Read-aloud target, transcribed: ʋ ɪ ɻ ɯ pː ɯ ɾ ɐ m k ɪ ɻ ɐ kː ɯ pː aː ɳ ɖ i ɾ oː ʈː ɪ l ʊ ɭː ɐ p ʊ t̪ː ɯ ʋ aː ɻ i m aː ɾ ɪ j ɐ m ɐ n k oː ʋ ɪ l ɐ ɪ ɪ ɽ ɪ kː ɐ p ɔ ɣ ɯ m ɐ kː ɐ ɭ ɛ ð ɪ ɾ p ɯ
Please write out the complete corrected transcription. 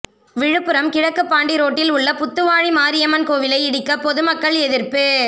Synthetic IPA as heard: ʋ ɪ ɻ ɯ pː ɯ ɾ ɐ m k ɪ ɻ ɐ kː ɯ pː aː ɳ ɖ i ɾ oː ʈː ɪ l ʊ ɭː ɐ p ʊ t̪ː ɯ ʋ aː ɻ i m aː ɾ ɪ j ɐ m ɐ n k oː ʋ ɪ l ɐ ɪ ɪ ɽ ɪ kː ɐ p ɔ ð ɯ m ɐ kː ɐ ɭ ɛ ð ɪ ɾ p ɯ